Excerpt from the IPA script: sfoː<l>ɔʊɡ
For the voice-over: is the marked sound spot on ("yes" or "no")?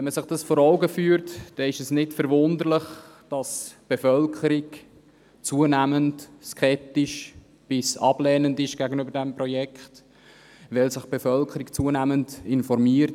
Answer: no